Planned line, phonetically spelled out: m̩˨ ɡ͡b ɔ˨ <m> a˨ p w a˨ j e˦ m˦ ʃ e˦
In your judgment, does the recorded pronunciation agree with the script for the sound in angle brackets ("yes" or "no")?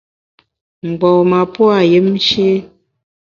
yes